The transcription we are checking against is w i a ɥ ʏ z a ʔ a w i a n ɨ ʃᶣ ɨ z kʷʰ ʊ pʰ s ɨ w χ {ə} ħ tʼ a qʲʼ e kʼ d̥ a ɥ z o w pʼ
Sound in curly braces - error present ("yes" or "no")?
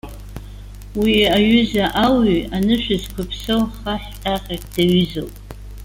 yes